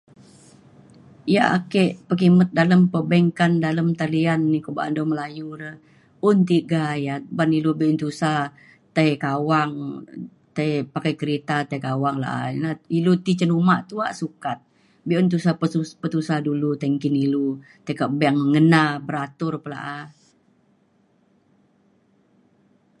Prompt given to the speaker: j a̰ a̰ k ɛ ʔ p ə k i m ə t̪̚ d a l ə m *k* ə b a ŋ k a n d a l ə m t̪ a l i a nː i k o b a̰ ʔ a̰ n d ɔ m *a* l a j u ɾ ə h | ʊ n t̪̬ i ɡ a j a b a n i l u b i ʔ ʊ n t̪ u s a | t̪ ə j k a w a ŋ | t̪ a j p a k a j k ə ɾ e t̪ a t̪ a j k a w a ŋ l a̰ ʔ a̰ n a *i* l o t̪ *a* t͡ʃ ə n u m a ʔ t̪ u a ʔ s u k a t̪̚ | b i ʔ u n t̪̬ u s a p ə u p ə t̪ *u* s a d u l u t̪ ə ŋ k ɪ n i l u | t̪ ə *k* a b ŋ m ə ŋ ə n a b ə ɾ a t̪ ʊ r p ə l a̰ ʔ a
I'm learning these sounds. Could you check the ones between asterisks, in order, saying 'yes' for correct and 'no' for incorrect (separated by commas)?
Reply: no, no, yes, no, yes, yes